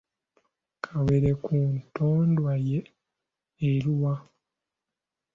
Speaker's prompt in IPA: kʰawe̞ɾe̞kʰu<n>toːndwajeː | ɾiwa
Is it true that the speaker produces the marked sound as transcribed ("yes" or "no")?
yes